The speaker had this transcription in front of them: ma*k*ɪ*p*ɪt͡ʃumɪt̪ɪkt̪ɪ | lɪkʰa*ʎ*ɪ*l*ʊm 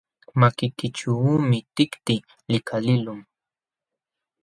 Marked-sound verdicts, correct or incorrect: correct, incorrect: k, incorrect: l, correct

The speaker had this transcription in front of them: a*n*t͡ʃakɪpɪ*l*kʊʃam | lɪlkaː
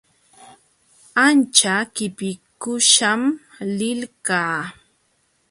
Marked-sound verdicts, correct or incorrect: correct, incorrect: none

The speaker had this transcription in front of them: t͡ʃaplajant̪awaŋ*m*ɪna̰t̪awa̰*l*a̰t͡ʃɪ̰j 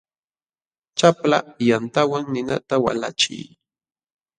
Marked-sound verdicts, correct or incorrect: incorrect: n, correct

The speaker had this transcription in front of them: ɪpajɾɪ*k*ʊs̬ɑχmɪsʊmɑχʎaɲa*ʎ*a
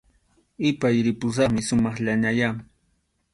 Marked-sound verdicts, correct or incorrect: incorrect: p, incorrect: j

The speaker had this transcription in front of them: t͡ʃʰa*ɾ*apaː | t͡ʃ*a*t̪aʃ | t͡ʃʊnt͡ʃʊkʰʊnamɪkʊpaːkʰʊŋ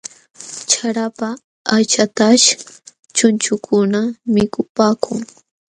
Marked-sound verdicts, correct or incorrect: correct, correct

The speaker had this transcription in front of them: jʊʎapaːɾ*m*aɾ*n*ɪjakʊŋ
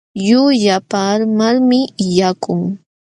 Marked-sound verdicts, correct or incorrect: correct, incorrect: m

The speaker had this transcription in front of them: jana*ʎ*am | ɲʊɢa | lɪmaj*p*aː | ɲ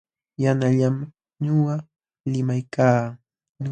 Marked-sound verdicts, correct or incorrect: correct, incorrect: k

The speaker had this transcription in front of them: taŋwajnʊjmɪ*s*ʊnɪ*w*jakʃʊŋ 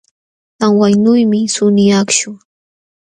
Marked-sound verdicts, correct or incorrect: correct, incorrect: none

